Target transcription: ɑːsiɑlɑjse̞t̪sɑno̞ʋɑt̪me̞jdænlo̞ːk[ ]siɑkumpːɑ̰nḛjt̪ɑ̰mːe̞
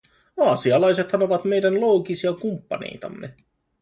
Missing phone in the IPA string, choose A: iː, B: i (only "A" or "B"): B